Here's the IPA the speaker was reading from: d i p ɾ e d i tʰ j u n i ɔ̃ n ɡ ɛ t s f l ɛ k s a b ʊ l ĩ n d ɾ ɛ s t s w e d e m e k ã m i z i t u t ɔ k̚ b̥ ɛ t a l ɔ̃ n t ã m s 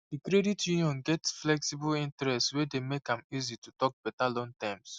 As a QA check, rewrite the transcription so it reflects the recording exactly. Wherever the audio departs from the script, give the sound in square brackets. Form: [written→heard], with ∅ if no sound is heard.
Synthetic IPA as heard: d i [p→k] ɾ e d i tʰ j u n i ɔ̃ n ɡ ɛ t s f l ɛ k s [a→i] b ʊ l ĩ n [d→t] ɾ ɛ s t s w e d e m e k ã m i z i t u t ɔ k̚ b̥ ɛ t a l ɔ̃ [n→ŋ] t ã m s